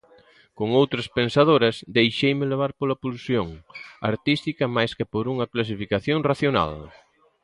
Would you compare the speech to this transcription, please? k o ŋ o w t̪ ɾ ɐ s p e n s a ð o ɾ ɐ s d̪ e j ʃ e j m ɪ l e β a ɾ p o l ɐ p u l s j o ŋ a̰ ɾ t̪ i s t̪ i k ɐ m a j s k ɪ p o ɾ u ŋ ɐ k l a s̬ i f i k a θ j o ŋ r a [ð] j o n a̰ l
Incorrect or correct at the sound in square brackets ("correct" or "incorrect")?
incorrect